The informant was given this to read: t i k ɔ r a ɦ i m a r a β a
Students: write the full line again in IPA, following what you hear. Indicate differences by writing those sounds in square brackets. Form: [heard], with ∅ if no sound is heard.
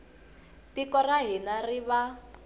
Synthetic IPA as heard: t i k ɔ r a ɦ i [n] a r [i] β a